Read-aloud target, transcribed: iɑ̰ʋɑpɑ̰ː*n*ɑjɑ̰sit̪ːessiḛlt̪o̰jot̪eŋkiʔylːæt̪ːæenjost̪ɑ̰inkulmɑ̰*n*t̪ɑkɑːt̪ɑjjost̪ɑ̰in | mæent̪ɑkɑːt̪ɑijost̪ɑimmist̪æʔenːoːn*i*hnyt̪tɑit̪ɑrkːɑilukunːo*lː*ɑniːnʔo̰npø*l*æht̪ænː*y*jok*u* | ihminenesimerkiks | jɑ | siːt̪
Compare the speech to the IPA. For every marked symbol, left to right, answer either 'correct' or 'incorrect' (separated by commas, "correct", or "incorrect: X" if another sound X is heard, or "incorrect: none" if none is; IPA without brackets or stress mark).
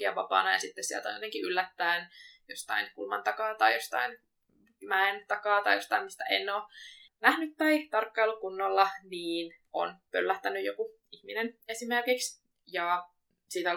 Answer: correct, correct, incorrect: æ, correct, incorrect: lː, correct, correct